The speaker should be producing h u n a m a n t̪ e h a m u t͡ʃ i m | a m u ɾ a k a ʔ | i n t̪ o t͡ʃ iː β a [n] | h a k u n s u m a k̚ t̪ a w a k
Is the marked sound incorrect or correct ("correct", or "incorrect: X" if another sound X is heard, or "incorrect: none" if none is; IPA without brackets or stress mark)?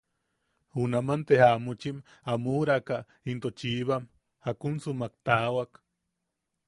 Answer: incorrect: m